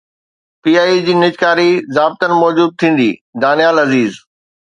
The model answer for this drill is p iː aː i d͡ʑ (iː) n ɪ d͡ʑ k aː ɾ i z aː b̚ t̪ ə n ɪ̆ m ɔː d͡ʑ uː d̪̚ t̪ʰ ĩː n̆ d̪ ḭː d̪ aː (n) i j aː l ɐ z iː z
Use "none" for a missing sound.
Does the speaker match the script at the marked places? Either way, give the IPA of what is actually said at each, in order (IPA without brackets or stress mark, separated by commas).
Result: iː, n